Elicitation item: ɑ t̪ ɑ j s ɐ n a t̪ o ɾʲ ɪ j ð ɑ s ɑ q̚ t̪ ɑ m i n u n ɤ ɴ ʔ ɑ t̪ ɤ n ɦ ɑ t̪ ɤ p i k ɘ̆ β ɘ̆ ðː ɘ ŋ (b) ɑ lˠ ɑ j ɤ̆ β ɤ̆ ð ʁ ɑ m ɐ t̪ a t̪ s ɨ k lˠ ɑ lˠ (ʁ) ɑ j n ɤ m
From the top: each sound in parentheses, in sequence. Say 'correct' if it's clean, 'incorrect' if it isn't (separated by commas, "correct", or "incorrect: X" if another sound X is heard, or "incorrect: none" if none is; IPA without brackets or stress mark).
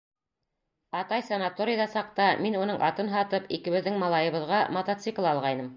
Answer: incorrect: m, correct